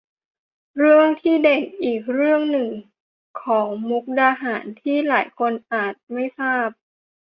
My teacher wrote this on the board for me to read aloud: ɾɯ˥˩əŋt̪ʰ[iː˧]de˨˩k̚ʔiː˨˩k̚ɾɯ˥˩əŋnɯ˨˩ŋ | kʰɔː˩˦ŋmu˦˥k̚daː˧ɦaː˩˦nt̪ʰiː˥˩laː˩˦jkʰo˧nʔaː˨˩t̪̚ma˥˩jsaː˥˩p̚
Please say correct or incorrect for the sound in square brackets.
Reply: incorrect